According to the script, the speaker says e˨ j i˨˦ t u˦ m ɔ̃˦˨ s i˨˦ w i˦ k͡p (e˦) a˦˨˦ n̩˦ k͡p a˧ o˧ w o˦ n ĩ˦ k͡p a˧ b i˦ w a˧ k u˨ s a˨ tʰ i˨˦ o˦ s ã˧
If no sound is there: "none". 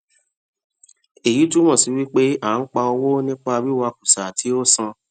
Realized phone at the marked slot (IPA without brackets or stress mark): e˦